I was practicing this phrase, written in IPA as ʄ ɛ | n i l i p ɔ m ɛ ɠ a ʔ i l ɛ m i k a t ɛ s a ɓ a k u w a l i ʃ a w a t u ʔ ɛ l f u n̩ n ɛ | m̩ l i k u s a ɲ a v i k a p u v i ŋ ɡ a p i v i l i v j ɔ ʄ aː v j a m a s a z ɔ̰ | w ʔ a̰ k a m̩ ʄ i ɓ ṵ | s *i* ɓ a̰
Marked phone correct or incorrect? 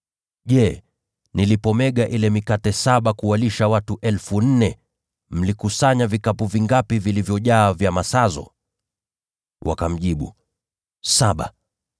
incorrect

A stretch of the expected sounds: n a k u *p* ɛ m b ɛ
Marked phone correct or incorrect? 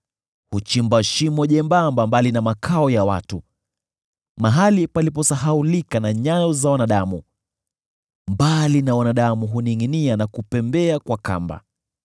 correct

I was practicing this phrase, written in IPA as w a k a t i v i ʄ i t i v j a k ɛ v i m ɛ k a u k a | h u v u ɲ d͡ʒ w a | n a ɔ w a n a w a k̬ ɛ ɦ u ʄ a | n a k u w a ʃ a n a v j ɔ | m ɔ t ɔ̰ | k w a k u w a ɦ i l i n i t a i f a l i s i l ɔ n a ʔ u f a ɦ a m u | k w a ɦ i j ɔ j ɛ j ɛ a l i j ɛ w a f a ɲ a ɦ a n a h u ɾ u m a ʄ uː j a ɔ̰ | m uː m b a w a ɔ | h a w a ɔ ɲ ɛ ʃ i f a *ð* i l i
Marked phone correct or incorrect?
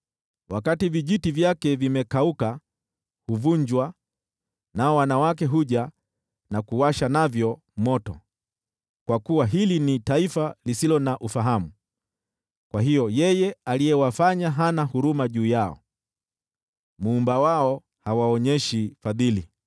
correct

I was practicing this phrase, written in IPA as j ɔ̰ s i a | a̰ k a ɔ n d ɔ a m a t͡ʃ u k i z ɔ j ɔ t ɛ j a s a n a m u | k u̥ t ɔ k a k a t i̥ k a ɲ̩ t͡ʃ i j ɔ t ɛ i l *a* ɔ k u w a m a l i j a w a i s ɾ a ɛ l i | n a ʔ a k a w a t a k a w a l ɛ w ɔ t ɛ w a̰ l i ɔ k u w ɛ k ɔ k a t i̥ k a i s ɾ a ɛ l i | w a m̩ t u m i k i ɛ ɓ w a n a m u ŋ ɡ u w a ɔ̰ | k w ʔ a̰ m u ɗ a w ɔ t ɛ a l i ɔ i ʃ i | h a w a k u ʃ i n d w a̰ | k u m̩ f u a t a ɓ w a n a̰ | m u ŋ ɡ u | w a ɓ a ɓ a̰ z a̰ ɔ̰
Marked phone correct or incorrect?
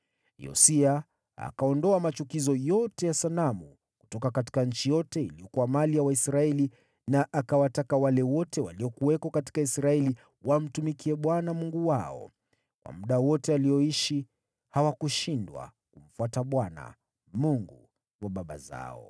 incorrect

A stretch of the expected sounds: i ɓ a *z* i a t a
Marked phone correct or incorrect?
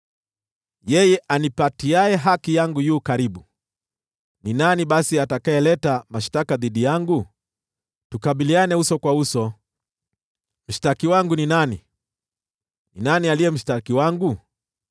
incorrect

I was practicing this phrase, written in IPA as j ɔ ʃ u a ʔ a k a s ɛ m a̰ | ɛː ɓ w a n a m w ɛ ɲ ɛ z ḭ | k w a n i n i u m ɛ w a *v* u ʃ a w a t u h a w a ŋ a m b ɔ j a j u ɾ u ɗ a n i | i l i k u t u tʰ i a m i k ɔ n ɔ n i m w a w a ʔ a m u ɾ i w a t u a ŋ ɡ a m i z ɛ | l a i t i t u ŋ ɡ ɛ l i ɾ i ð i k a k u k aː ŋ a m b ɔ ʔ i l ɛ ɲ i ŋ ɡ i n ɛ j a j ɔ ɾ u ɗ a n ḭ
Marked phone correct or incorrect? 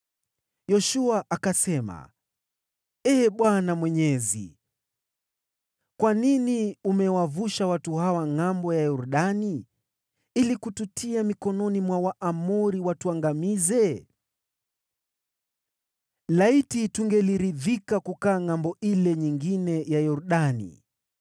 correct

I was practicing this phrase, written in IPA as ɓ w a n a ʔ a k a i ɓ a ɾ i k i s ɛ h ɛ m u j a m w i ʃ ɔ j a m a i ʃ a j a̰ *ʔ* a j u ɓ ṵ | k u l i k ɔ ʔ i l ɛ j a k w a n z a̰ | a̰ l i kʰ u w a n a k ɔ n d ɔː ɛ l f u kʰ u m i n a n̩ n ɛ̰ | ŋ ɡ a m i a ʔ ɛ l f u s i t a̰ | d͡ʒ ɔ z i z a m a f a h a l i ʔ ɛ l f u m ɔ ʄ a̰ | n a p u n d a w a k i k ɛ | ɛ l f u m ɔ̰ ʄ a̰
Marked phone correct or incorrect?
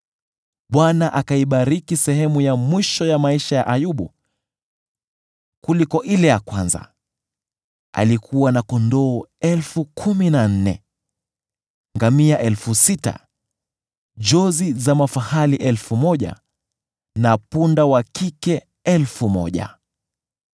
correct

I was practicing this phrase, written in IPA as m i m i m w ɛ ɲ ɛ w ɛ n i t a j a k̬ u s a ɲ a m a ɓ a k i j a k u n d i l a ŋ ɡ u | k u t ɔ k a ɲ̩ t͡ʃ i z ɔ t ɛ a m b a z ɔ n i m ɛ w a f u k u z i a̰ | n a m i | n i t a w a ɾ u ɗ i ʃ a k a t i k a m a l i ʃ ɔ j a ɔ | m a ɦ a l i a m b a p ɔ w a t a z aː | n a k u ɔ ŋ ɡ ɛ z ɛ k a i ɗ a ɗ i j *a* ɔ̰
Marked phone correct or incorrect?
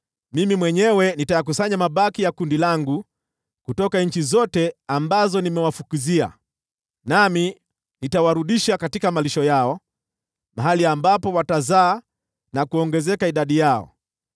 correct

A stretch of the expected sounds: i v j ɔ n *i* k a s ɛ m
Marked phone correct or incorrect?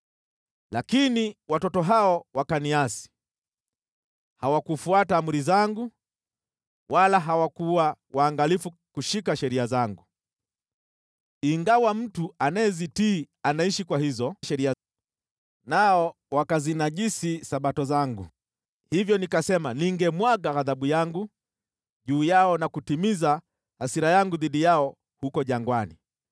correct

